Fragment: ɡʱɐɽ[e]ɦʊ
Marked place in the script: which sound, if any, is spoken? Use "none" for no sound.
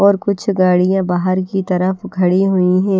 i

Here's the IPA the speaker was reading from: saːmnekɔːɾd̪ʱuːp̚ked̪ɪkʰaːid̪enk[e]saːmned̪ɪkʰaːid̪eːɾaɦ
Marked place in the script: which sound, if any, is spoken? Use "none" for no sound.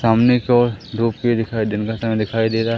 a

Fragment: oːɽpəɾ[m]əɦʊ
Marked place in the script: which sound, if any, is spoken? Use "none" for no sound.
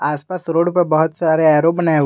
b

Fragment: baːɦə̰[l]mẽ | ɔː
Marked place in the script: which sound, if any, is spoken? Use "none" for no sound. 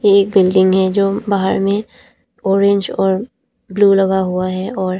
ɾ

